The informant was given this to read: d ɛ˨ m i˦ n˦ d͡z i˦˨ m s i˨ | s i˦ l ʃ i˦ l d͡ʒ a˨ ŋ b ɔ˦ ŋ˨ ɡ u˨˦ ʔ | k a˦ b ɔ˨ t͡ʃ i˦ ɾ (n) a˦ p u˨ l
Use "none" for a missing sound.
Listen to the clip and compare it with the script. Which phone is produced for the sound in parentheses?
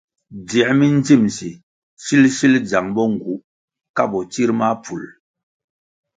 m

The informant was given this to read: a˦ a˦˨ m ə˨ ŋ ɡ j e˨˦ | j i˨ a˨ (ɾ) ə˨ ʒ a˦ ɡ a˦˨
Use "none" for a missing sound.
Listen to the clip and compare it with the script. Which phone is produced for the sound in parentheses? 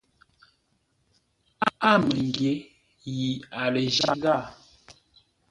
l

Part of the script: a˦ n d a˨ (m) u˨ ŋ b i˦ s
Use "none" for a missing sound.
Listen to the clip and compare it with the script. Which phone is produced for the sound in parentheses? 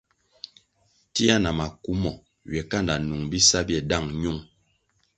n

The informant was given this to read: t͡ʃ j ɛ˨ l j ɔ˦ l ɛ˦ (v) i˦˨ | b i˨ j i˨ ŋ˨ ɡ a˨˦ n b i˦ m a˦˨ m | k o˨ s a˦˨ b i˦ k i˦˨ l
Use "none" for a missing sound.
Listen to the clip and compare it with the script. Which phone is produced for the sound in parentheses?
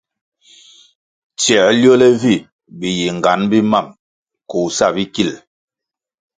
v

